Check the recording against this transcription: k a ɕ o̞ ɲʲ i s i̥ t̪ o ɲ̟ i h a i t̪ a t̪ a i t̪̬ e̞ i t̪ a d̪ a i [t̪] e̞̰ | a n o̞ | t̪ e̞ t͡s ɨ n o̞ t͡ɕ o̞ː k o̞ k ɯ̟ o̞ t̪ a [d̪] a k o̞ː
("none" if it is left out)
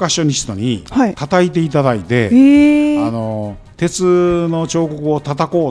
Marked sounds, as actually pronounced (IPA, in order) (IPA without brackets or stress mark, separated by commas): t̪, t̪